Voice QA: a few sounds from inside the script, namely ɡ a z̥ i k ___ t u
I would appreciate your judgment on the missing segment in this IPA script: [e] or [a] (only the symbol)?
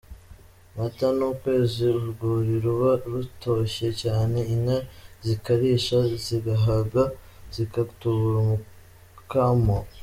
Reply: a